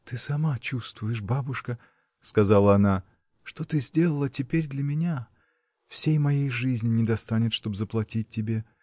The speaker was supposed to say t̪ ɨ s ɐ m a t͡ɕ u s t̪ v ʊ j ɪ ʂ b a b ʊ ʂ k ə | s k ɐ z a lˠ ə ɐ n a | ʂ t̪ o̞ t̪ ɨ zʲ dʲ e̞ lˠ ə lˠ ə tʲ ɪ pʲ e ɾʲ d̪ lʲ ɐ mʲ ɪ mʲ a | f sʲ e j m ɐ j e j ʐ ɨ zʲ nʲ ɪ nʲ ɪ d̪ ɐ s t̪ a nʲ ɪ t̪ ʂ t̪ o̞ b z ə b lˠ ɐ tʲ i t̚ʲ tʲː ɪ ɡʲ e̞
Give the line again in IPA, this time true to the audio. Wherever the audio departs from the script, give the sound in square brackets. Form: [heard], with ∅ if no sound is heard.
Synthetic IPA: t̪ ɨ s ɐ m a t͡ɕ u s t̪ v ʊ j ɪ ʂ b a b ʊ ʂ k ə | s k ɐ z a lˠ ə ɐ n a | ʂ t̪ o̞ t̪ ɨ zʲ dʲ e̞ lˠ ə lˠ ə tʲ ɪ pʲ e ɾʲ d̪ lʲ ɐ mʲ ɪ [nʲ] a | f sʲ e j m ɐ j e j ʐ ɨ zʲ nʲ ɪ nʲ ɪ d̪ ɐ s t̪ a nʲ ɪ t̪ ʂ t̪ o̞ b z ə [p] lˠ ɐ tʲ i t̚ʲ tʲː ɪ [bʲ] e̞

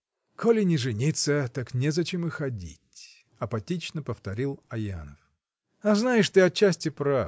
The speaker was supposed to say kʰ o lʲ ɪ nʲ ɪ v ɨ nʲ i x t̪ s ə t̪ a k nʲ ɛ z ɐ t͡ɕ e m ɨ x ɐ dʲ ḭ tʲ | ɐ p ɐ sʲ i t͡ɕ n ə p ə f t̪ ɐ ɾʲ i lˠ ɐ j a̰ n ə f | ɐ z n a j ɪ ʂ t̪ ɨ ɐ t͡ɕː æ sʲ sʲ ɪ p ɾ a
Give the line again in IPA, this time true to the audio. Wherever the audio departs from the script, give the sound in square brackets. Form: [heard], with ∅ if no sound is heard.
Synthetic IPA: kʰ o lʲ ɪ nʲ ɪ [ʐ] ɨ nʲ i [∅] t̪ s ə t̪ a k nʲ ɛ z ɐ t͡ɕ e m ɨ x ɐ dʲ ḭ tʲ | ɐ p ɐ [tʲ] i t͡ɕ n ə p ə f t̪ ɐ ɾʲ i lˠ ɐ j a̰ n ə f | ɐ z n a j ɪ ʂ t̪ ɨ ɐ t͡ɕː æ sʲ [tʲ] ɪ p ɾ a

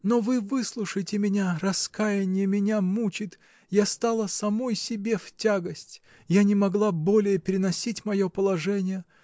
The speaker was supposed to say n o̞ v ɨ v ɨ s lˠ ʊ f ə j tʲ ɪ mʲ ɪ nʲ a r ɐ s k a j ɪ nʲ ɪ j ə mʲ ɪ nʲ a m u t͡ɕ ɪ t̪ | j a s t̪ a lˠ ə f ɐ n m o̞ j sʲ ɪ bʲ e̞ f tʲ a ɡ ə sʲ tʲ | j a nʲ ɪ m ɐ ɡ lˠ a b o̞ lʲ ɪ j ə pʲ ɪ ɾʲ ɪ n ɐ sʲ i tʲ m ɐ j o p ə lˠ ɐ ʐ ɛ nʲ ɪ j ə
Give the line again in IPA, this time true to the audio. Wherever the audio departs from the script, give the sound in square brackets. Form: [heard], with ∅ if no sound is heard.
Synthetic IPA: n o̞ v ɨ v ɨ s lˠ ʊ [ʂ] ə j tʲ ɪ mʲ ɪ nʲ a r ɐ s k a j ɪ nʲ ɪ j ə mʲ ɪ nʲ a m u t͡ɕ ɪ t̪ | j a s t̪ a lˠ ə [s] ɐ [∅] m o̞ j sʲ ɪ bʲ e̞ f tʲ a ɡ ə sʲ tʲ | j a nʲ ɪ m ɐ ɡ lˠ a b o̞ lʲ ɪ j ə pʲ ɪ ɾʲ ɪ n ɐ sʲ i tʲ m ɐ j o p ə lˠ ɐ ʐ ɛ nʲ ɪ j ə

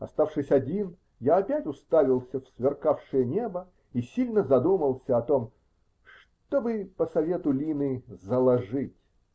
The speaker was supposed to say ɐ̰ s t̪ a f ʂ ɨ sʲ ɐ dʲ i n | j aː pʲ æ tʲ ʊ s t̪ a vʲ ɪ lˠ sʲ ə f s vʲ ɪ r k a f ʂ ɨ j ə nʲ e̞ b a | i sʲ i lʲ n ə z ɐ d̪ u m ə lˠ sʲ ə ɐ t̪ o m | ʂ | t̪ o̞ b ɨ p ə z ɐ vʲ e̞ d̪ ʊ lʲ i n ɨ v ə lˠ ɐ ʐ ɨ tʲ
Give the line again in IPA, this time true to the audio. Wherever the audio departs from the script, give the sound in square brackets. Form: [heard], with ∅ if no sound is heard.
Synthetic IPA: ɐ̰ s t̪ a f ʂ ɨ sʲ ɐ dʲ i n | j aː pʲ æ tʲ ʊ s t̪ a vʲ ɪ lˠ sʲ ə f s vʲ ɪ r k a f ʂ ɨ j ə nʲ e̞ b [ə] | i sʲ i lʲ n ə z ɐ d̪ u m ə lˠ sʲ ə ɐ t̪ o m | ʂ | t̪ o̞ b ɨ p ə [s] ɐ vʲ e̞ [t̪] ʊ lʲ i n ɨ [z] ə lˠ ɐ ʐ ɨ tʲ

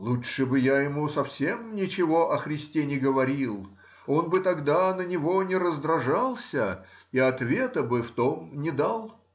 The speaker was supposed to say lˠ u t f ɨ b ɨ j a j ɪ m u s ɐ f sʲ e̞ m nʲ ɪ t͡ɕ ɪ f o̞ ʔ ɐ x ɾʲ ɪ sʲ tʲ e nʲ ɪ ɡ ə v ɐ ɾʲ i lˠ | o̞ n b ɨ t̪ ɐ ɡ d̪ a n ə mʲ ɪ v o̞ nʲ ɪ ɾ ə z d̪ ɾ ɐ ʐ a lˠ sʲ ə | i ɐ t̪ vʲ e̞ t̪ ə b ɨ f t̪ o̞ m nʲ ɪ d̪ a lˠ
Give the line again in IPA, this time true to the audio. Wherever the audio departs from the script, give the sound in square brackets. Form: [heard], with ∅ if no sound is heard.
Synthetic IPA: lˠ u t [ʂ] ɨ b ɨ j a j ɪ m u s ɐ f sʲ e̞ m nʲ ɪ t͡ɕ ɪ [v] o̞ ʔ ɐ x ɾʲ ɪ sʲ tʲ e nʲ ɪ ɡ ə v ɐ ɾʲ i lˠ | o̞ n b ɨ t̪ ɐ ɡ d̪ a n ə [nʲ] ɪ v o̞ nʲ ɪ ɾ ə z d̪ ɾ ɐ ʐ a lˠ sʲ ə | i ɐ t̪ vʲ e̞ t̪ ə b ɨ f t̪ o̞ m nʲ ɪ d̪ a lˠ

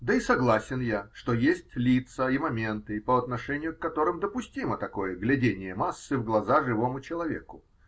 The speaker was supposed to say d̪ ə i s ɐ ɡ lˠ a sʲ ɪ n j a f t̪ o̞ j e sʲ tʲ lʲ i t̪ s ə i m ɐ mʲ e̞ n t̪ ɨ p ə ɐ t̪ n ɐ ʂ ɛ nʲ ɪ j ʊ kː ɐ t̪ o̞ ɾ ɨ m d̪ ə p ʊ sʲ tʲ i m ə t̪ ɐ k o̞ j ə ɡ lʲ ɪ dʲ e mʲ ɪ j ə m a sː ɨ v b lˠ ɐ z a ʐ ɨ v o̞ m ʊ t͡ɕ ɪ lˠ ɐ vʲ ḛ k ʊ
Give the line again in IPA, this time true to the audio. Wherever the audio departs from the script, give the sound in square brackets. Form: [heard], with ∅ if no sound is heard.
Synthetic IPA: d̪ ə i s ɐ ɡ lˠ a sʲ ɪ n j a [ʂ] t̪ o̞ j e sʲ tʲ lʲ i t̪ s ə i m ɐ mʲ e̞ n t̪ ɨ p ə ɐ t̪ n ɐ ʂ ɛ nʲ ɪ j ʊ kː ɐ t̪ o̞ ɾ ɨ m d̪ ə p ʊ sʲ tʲ i m ə t̪ ɐ k o̞ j ə ɡ lʲ ɪ dʲ e [nʲ] ɪ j ə m a sː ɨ v [ɡ] lˠ ɐ z a ʐ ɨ v o̞ m ʊ t͡ɕ ɪ lˠ ɐ vʲ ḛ k ʊ

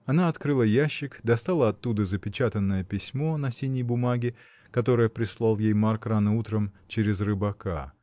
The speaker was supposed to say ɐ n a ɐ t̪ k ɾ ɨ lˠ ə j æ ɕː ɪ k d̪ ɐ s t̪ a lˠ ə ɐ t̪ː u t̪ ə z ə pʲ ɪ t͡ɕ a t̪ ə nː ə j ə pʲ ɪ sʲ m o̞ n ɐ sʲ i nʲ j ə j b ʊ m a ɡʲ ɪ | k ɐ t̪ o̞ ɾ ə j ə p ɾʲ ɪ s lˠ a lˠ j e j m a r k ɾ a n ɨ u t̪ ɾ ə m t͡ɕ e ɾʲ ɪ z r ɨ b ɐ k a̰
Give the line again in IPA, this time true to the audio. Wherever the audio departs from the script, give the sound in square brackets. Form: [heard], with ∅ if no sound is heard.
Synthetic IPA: ɐ n a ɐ t̪ k ɾ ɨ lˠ ə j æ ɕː ɪ k d̪ ɐ s t̪ a lˠ ə ɐ t̪ː u [d̪] ə z ə pʲ ɪ t͡ɕ a t̪ ə nː ə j ə pʲ ɪ sʲ m o̞ n ɐ sʲ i nʲ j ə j b ʊ m a ɡʲ ɪ | k ɐ t̪ o̞ ɾ ə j ə p ɾʲ ɪ s lˠ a lˠ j e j m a r k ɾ a n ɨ u t̪ ɾ ə m t͡ɕ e ɾʲ ɪ z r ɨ b ɐ k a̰

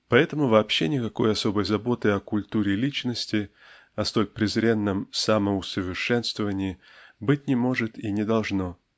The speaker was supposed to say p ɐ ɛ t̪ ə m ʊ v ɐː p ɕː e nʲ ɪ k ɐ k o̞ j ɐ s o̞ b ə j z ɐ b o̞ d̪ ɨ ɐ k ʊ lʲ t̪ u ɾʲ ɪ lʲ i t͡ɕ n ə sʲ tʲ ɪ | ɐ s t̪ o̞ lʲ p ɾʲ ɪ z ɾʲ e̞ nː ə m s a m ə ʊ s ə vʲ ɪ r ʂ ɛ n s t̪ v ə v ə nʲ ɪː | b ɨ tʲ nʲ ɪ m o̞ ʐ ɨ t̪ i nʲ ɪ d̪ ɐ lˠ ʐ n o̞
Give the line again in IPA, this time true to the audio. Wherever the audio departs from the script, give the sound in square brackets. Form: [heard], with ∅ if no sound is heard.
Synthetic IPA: p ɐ ɛ t̪ ə m ʊ v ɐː p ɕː e nʲ ɪ k ɐ k o̞ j ɐ s o̞ b ə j z ɐ b o̞ [t̪] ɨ ɐ k ʊ lʲ t̪ u ɾʲ ɪ lʲ i t͡ɕ n ə sʲ tʲ ɪ | ɐ s t̪ o̞ lʲ p ɾʲ ɪ z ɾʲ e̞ nː ə m s a m ə ʊ s ə vʲ ɪ r ʂ ɛ n s t̪ v ə v ə nʲ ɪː | b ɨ tʲ nʲ ɪ m o̞ ʐ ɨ t̪ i nʲ ɪ d̪ ɐ lˠ ʐ n o̞

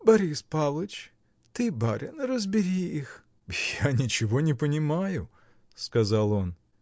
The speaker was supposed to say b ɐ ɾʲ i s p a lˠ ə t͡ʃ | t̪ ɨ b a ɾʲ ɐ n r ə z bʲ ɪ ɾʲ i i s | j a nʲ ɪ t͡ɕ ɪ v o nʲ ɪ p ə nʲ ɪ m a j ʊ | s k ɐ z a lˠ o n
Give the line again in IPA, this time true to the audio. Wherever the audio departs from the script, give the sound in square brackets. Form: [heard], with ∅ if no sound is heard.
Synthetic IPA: b ɐ ɾʲ i s p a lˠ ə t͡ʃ | t̪ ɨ b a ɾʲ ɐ n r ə z bʲ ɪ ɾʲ i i [x] | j a nʲ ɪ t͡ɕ ɪ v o nʲ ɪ p ə nʲ ɪ m a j ʊ | s k ɐ z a lˠ o n

